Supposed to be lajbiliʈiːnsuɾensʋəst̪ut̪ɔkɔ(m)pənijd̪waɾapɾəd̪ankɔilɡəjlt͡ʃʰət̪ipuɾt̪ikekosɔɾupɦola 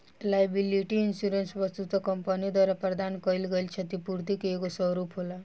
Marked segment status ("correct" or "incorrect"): correct